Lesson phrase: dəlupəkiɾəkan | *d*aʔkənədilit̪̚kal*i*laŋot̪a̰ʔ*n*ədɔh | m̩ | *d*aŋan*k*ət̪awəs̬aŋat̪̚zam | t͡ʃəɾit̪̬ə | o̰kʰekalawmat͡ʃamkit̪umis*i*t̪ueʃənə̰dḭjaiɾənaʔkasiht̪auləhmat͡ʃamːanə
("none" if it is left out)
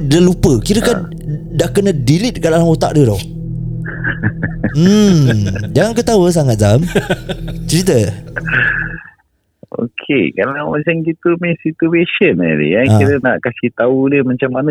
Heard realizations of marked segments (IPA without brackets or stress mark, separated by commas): d, a, d, d͡ʒ, k, i